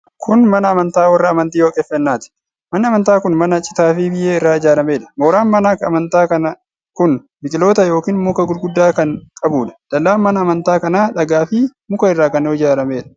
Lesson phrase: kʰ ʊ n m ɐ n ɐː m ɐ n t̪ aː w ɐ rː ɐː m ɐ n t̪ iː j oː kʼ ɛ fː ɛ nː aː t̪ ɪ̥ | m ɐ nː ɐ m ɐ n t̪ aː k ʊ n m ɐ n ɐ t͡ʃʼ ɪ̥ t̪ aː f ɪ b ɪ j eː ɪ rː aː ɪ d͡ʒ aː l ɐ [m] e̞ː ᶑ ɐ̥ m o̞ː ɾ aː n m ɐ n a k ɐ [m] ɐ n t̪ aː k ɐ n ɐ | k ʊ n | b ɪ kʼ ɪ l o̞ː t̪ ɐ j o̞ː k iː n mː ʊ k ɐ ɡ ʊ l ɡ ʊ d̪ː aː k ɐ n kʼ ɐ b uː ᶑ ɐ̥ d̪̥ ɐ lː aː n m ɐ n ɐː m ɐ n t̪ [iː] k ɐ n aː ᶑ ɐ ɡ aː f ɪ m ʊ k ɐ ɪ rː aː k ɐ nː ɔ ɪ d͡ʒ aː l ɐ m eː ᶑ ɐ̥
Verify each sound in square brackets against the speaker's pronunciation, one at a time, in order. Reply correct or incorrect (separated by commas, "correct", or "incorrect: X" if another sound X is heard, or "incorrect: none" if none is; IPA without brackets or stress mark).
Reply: correct, correct, incorrect: aː